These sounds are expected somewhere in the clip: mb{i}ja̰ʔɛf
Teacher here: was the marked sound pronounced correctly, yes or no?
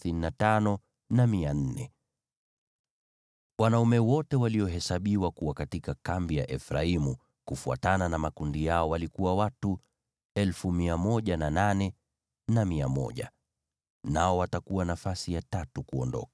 yes